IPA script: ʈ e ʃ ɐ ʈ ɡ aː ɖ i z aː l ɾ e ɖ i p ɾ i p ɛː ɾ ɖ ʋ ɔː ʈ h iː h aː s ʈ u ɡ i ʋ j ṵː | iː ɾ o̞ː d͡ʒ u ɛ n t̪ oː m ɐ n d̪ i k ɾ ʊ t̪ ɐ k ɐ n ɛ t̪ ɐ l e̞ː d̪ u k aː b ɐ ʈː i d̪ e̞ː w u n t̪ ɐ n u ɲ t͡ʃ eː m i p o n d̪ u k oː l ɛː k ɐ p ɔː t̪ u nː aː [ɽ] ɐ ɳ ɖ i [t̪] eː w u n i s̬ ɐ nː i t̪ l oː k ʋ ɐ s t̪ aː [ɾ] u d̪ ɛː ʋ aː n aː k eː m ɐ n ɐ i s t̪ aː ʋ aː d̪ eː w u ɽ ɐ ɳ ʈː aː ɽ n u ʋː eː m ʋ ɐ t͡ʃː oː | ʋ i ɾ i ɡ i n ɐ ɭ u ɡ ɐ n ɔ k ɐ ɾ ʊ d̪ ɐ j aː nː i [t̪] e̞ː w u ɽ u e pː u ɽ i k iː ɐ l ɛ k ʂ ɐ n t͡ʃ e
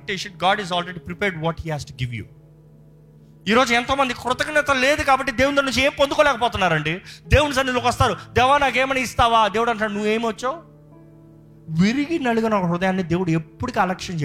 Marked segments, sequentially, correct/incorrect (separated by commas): incorrect, incorrect, correct, incorrect